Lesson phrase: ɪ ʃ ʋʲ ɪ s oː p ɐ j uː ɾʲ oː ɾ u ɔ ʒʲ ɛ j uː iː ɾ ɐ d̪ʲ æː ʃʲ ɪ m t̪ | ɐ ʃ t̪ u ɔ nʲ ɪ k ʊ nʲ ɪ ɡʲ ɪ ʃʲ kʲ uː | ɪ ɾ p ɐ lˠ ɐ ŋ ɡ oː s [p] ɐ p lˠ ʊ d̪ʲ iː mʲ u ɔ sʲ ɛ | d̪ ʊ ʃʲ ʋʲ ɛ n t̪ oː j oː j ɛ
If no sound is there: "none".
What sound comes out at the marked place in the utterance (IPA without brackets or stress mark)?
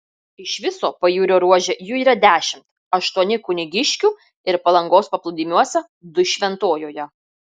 p